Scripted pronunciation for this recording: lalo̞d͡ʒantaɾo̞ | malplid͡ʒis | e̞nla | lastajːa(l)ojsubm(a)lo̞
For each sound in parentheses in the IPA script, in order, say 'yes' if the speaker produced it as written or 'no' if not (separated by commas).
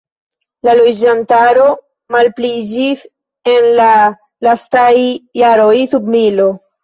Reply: no, no